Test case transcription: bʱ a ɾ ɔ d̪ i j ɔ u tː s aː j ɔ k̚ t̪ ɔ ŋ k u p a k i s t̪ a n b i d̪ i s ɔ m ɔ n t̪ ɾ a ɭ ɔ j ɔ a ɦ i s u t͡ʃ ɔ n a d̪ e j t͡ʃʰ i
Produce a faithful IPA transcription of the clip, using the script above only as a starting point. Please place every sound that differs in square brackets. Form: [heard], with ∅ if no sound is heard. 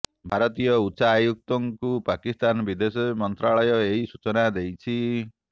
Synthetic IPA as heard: bʱ a ɾ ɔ [t̪] i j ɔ u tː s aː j [u] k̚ t̪ ɔ ŋ k u p a k i s t̪ a n b i d̪ [e] s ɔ m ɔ n t̪ ɾ a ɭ ɔ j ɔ [e] ɦ i s u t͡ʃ ɔ n a d̪ e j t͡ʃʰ i